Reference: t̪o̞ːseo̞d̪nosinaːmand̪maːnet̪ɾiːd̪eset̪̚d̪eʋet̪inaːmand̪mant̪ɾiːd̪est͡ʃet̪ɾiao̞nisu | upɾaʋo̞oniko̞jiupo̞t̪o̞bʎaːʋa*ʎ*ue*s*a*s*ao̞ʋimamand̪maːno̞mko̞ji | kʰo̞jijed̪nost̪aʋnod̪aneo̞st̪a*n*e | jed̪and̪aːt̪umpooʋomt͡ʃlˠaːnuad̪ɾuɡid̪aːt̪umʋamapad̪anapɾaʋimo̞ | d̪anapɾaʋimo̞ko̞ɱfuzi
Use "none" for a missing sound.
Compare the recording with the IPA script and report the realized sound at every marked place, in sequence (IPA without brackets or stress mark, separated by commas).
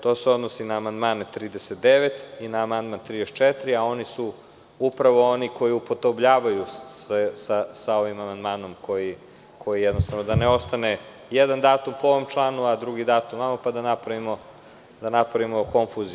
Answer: j, s, s, n